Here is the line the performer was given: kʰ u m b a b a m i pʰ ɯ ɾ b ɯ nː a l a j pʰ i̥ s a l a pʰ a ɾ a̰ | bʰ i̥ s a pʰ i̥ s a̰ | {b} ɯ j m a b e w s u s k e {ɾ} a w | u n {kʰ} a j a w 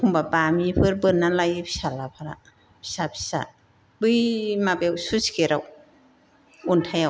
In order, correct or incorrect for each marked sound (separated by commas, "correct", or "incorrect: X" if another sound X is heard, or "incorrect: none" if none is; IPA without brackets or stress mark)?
correct, correct, incorrect: tʰ